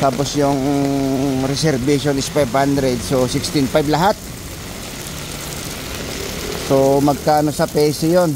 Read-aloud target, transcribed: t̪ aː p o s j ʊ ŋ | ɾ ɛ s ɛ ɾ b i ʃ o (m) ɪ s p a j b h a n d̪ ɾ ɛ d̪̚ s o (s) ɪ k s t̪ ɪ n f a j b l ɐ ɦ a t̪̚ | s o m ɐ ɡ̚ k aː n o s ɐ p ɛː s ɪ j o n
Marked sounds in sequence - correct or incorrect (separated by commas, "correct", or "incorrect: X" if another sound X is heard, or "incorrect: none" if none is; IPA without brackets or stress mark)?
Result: incorrect: n, correct